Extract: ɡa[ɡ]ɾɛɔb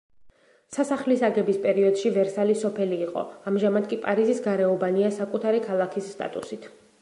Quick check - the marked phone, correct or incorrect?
incorrect: none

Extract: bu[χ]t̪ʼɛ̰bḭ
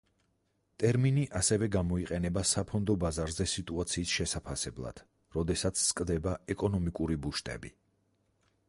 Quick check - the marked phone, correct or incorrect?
incorrect: ʃ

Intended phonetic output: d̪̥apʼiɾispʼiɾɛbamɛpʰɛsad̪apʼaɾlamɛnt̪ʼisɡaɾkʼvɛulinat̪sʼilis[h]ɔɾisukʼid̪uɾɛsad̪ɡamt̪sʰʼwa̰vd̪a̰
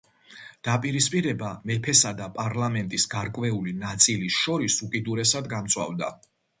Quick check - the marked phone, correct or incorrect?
incorrect: ʃ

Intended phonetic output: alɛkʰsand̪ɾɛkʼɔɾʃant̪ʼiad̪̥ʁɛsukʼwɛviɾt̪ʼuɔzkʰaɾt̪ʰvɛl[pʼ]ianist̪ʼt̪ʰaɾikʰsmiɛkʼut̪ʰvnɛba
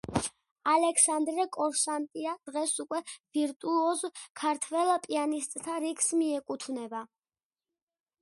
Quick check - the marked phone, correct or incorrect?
correct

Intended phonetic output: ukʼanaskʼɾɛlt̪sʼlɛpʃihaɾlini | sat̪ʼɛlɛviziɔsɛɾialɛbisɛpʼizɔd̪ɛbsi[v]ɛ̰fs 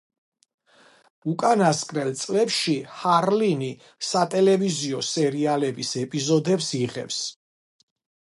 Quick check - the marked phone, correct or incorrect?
incorrect: ʁ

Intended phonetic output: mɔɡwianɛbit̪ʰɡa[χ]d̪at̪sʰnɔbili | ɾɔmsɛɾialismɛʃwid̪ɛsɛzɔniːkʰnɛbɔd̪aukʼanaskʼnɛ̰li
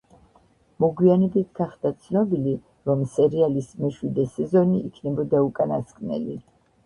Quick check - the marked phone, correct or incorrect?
correct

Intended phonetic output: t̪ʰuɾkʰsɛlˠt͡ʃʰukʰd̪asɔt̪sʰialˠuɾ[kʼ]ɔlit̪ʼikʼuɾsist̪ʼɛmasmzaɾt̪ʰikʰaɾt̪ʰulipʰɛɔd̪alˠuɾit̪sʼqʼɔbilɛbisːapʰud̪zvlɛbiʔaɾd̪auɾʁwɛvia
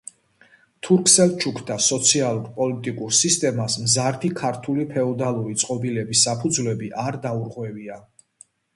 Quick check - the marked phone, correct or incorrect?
incorrect: pʼ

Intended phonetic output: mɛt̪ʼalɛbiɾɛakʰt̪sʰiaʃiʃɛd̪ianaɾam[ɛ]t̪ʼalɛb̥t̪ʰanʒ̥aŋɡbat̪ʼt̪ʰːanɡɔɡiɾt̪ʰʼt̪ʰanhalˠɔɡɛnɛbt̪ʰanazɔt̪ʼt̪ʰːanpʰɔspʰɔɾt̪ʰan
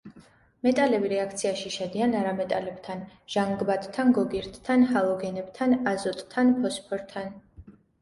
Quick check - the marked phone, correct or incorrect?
correct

